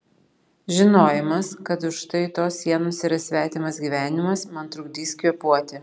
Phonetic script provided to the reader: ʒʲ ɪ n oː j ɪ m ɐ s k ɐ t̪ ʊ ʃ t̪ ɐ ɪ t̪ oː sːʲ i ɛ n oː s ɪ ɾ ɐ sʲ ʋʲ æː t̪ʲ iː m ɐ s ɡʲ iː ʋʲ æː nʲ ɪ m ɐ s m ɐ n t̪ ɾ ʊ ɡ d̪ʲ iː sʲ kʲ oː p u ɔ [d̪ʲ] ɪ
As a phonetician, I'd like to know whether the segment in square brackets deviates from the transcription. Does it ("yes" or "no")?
yes